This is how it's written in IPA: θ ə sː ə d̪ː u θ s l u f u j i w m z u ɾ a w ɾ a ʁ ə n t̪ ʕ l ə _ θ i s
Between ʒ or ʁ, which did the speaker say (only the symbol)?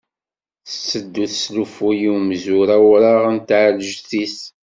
ʒ